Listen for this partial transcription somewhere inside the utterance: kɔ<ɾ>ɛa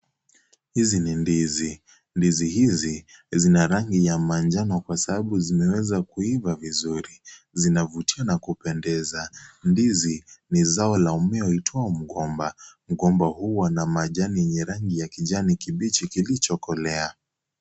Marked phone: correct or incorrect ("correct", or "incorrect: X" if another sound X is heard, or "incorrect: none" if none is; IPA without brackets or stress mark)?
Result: incorrect: l